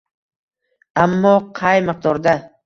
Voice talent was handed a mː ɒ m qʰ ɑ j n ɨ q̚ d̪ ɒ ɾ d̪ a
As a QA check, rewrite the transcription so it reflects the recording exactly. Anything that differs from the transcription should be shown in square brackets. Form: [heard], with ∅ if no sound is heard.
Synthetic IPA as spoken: a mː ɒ [∅] qʰ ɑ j [m] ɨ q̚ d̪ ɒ ɾ d̪ a